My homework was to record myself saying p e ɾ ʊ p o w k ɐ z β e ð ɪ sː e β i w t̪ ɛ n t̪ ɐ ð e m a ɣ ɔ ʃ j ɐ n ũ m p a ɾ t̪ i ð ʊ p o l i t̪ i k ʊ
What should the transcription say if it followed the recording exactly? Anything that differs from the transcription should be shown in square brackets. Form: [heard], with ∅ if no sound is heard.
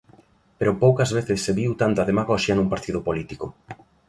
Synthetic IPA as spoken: p e ɾ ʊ p o w k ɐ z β e [θ] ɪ sː e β i w t̪ [a] n t̪ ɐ ð e m a ɣ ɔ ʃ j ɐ n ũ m p a ɾ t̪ i ð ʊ p o l i t̪ i k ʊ